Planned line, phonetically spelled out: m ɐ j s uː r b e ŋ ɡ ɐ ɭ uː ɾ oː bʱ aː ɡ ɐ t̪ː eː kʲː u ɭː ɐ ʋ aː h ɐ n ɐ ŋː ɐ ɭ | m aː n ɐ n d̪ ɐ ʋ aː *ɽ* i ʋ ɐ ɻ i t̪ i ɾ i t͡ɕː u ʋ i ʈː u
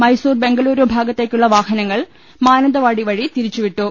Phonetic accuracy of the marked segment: correct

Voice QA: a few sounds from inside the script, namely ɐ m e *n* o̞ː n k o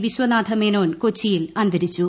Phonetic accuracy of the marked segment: correct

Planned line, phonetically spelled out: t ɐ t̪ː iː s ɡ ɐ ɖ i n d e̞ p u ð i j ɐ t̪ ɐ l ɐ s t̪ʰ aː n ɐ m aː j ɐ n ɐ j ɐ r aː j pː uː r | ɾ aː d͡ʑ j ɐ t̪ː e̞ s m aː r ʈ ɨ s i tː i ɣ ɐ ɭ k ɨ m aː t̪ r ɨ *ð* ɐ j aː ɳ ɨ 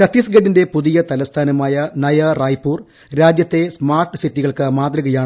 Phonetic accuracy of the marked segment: incorrect: ɣ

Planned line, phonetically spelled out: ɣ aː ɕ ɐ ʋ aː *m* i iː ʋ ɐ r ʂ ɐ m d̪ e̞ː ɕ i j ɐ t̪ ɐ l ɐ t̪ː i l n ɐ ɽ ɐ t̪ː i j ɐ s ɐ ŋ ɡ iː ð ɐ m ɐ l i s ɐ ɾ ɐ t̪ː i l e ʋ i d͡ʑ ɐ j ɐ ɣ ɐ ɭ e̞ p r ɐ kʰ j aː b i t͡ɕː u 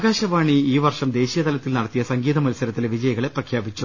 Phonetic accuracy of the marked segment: incorrect: ɳ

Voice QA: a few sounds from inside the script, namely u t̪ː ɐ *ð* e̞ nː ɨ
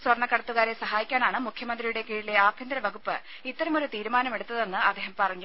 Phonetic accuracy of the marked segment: correct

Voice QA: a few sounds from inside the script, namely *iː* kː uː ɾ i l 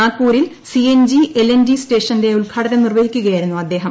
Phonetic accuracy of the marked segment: incorrect: aː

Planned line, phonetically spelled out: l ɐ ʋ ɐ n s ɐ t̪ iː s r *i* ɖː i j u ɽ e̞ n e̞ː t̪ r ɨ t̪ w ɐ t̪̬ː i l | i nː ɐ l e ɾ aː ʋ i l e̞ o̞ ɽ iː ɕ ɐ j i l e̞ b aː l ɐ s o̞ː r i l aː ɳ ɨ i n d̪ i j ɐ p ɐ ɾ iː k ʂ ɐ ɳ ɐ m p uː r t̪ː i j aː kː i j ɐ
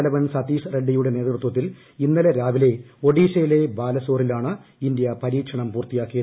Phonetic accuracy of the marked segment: incorrect: e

